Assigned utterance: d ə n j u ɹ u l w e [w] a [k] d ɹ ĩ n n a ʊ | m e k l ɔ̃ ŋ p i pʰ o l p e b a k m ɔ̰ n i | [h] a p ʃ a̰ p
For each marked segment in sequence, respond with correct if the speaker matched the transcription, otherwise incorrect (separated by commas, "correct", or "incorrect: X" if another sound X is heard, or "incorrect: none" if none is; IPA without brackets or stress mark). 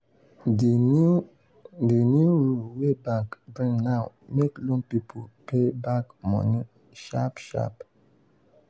incorrect: b, correct, incorrect: ʃ